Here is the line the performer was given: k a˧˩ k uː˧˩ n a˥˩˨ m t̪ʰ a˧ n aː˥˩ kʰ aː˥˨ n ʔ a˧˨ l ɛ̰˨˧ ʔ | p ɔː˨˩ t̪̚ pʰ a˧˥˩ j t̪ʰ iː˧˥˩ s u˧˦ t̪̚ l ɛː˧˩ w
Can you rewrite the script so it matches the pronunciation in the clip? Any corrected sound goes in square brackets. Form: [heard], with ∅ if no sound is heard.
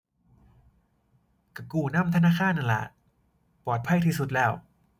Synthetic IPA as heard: k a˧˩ k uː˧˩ n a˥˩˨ m t̪ʰ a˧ n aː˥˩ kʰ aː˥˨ n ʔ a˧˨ l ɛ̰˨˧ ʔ | p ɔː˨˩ t̪̚ pʰ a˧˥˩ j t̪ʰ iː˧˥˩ s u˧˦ t̪̚ l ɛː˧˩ w